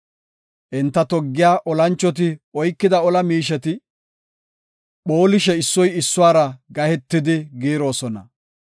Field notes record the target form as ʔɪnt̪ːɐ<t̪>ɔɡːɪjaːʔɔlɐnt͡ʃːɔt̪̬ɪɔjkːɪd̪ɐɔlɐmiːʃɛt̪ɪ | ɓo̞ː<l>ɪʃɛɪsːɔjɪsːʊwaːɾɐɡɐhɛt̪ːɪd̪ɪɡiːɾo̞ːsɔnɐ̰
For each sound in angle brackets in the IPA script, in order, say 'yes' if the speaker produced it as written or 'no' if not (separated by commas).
yes, yes